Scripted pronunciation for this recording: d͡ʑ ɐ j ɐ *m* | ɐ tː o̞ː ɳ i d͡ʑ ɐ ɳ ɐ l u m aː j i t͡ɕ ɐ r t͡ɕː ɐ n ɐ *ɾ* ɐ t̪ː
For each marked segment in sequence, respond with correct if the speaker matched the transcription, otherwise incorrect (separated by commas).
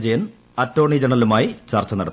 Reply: incorrect, incorrect